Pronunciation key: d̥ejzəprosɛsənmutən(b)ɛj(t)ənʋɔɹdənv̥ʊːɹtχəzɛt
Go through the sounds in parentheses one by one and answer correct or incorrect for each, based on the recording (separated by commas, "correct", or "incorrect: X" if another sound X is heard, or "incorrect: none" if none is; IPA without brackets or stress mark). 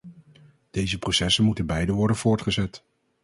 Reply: correct, incorrect: d